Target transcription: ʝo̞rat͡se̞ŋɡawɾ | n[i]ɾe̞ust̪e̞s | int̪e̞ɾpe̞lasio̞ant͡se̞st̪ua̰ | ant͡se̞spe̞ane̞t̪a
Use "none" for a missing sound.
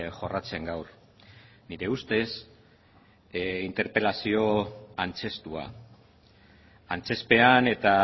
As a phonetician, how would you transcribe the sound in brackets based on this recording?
i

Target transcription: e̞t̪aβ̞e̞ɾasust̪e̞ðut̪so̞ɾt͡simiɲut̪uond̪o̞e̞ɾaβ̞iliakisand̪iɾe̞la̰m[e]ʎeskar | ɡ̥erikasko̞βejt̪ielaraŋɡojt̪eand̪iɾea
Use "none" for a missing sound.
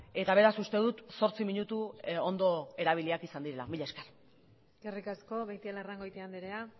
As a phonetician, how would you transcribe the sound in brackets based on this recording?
i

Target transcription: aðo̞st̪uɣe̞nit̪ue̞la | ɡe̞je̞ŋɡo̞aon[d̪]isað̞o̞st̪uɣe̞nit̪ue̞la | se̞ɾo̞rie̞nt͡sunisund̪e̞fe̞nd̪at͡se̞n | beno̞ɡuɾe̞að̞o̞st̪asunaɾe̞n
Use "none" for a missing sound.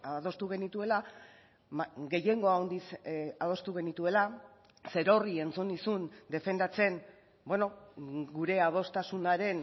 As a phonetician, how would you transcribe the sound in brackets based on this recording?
d̪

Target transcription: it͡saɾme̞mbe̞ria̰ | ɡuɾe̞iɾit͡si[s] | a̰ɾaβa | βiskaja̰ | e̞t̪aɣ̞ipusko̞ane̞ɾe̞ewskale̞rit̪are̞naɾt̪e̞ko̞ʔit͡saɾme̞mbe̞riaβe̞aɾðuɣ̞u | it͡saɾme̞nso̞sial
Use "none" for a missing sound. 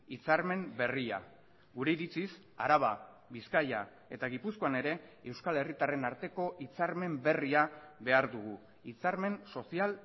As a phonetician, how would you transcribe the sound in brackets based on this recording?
s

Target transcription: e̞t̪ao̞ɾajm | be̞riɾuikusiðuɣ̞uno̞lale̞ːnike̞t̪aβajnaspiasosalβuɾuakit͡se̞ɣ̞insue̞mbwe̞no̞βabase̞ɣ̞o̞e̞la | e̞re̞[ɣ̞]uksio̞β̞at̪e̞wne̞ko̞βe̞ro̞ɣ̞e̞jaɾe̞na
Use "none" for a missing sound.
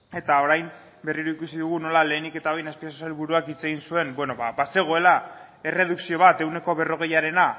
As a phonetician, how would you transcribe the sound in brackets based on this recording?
ð̞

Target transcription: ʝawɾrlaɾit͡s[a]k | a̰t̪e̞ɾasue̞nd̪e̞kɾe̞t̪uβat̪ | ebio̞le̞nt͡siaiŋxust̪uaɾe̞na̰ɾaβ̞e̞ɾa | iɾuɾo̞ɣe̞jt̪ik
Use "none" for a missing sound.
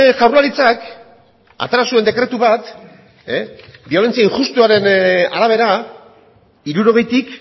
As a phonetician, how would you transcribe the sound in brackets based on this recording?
a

